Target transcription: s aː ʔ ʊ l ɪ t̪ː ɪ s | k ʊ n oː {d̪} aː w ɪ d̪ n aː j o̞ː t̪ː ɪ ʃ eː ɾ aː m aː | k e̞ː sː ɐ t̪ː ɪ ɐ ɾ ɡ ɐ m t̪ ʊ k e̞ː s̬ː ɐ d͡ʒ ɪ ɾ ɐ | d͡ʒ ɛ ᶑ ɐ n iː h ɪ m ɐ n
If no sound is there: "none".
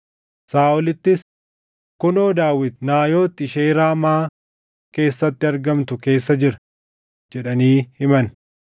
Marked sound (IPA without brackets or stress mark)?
d̪